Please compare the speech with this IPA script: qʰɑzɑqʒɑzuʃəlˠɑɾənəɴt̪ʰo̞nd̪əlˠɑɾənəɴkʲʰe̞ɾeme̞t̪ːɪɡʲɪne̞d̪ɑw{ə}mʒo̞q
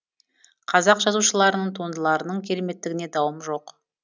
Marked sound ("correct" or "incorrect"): correct